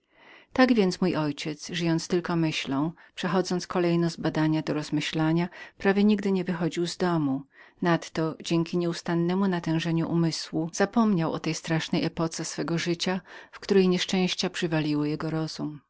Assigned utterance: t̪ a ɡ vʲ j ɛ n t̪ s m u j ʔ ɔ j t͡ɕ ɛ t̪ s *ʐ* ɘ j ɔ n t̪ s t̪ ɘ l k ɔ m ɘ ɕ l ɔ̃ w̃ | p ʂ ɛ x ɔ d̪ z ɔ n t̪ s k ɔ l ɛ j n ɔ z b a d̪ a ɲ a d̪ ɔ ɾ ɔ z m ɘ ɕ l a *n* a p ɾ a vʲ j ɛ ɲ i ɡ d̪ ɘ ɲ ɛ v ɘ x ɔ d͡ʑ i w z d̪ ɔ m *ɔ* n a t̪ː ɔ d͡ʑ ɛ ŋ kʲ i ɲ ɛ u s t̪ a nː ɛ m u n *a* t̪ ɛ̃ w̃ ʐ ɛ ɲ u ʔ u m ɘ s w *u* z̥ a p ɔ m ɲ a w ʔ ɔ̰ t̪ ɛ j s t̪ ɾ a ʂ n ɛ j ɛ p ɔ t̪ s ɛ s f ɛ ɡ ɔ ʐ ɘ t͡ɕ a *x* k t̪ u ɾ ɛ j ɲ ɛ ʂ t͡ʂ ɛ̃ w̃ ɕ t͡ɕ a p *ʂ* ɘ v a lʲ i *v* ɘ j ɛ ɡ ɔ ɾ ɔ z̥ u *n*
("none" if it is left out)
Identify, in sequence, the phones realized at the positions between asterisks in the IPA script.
ʐ, ɲ, u, a, u, f, ʂ, w, m

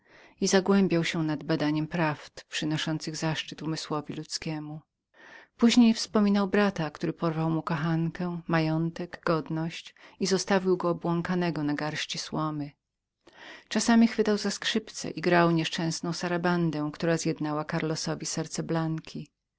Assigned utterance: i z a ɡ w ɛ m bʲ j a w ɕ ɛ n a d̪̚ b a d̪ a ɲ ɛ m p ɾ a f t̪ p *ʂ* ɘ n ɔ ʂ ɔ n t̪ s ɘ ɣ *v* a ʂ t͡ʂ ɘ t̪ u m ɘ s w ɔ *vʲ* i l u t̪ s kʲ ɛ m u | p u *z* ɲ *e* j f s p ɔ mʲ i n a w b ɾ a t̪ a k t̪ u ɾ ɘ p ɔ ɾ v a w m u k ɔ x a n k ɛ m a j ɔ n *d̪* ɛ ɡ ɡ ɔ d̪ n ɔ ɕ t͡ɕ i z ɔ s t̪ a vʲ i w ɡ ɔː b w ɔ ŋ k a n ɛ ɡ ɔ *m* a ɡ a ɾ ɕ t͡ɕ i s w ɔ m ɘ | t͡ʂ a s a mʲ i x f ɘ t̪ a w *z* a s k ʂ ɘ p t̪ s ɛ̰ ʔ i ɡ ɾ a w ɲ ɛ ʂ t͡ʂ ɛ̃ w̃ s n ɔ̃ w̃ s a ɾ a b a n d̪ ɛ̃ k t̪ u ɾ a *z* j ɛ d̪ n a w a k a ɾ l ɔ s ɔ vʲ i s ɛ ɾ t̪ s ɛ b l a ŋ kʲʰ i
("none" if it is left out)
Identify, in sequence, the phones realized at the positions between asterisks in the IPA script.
ʂ, z, vʲ, ʑ, e, t̪, n, z, z

